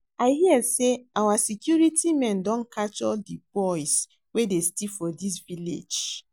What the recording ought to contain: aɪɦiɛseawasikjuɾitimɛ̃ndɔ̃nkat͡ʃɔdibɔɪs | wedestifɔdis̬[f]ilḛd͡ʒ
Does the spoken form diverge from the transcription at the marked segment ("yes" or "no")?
yes